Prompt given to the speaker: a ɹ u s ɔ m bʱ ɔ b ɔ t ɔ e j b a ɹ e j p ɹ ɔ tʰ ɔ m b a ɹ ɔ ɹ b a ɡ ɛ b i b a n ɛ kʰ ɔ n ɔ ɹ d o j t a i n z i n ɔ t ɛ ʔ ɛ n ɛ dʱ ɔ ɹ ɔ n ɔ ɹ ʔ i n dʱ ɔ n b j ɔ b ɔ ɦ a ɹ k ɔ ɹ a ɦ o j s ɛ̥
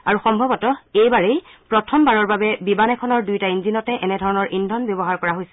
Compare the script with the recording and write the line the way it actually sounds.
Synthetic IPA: a ɹ u x ɔ m bʱ ɔ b ɔ t ɔ e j b a ɹ e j p ɹ ɔ tʰ ɔ m b a ɹ ɔ ɹ b a b ɛ b i b a n ɛ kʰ ɔ n ɔ ɹ d u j t a i n z i n ɔ t ɛ ʔ ɛ n ɛ dʱ ɔ ɹ ɔ n ɔ ɹ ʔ i n dʱ ɔ n b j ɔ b ɔ ɦ a ɹ k ɔ ɹ a ɦ o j s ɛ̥